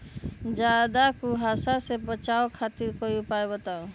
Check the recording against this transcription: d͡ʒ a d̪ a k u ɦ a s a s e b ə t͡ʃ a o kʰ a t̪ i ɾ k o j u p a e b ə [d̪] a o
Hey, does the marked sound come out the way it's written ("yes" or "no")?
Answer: no